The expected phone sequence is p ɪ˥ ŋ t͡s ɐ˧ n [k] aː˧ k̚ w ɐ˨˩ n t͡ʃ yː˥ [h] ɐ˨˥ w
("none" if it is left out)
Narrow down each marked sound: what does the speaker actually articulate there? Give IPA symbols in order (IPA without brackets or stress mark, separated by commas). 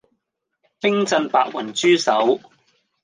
p, s